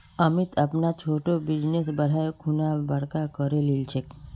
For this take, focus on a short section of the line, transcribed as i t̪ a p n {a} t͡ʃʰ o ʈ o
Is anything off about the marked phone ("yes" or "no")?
no